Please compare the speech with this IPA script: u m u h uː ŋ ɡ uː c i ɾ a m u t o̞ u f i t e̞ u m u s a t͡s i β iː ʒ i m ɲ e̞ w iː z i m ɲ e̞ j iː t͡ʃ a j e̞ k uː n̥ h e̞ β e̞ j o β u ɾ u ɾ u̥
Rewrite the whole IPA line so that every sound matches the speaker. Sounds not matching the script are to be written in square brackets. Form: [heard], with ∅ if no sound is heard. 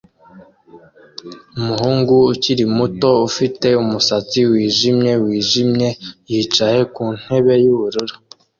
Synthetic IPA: u m u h uː ŋ ɡ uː c i ɾ [i] m u t o̞ u f i t e̞ u m u s a t͡s i [w] iː ʒ i m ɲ e̞ w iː [ʒ] i m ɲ e̞ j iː t͡ʃ a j e̞ k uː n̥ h e̞ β e̞ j [u] β u ɾ u ɾ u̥